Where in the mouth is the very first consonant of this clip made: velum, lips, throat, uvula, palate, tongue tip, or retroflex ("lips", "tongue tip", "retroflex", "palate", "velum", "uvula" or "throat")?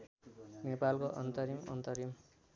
tongue tip